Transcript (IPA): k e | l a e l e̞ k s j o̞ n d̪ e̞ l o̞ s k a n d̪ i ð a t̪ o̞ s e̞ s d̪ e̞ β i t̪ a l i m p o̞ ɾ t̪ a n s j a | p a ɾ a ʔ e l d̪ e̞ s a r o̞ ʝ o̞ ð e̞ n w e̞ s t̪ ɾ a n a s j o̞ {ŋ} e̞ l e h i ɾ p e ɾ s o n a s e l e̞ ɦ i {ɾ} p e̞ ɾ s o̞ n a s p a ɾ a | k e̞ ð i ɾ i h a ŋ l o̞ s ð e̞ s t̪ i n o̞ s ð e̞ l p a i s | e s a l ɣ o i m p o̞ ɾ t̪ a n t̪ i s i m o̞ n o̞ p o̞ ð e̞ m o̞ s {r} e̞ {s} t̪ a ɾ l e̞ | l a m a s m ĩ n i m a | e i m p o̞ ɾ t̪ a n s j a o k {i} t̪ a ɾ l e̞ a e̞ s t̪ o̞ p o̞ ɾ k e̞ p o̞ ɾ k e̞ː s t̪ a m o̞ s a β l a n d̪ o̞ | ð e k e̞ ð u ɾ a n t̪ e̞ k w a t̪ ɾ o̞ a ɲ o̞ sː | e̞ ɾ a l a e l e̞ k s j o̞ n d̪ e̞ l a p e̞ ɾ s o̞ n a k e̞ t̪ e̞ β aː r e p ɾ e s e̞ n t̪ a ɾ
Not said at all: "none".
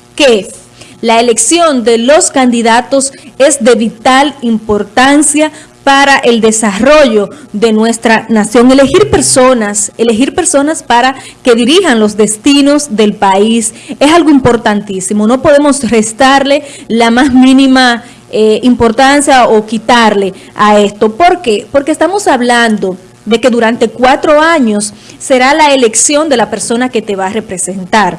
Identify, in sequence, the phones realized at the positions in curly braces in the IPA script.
ŋ, ɾ, r, s, i

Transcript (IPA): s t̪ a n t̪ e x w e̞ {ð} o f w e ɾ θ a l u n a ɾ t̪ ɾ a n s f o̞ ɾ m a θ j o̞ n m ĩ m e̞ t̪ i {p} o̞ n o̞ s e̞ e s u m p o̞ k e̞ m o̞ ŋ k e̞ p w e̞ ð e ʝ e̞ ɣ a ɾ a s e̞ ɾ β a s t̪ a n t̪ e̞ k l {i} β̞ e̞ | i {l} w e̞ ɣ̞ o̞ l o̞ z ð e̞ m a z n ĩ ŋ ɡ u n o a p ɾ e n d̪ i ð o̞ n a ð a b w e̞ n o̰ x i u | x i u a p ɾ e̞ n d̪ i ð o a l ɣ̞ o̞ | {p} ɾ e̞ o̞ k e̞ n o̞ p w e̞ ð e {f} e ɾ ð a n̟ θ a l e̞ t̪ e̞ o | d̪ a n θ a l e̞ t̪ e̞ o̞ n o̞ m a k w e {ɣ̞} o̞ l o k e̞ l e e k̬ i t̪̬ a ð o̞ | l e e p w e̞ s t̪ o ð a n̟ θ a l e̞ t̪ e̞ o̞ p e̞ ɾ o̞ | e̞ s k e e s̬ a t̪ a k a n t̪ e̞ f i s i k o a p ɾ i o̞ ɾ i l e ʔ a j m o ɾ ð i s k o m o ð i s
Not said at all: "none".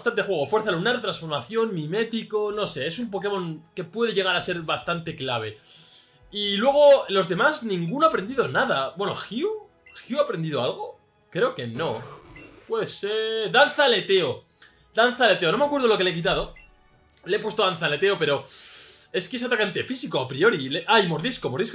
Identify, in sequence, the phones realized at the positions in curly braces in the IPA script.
ɣ, k, a, l, k, s, ð̞

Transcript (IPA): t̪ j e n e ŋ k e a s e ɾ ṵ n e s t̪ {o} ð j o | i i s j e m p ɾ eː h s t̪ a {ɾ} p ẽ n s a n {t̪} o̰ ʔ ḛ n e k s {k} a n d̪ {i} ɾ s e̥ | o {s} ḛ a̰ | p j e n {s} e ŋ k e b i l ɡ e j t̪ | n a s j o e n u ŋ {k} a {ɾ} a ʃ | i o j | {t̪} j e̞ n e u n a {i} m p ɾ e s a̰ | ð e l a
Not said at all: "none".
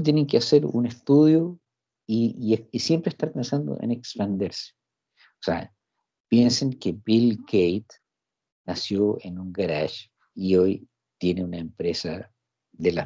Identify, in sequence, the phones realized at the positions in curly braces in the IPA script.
u, ɾ, d̪, p, e, s, s, ɡ, ɾ, t̪, e

